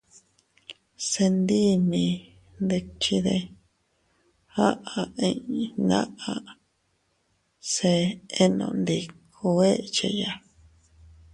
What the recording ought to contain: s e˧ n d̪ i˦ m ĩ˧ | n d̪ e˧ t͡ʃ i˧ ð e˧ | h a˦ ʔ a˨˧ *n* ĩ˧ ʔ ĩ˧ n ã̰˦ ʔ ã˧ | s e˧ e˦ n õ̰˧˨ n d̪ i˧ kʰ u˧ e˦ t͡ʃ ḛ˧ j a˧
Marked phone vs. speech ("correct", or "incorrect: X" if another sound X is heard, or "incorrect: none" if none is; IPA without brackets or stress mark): incorrect: none